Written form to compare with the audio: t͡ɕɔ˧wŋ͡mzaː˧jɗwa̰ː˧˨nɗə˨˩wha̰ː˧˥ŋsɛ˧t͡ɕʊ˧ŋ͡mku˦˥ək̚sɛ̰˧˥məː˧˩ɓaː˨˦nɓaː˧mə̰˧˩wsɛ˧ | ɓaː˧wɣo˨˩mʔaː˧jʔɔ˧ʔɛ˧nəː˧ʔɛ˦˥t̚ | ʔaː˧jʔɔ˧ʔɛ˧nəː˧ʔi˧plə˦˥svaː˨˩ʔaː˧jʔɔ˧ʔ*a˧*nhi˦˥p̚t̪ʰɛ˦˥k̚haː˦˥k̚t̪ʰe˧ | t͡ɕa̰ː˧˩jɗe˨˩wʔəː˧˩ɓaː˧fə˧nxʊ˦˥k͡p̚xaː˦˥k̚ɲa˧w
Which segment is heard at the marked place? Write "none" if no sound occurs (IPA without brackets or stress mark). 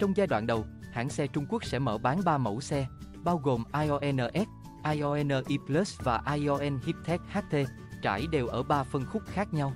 ɛ˧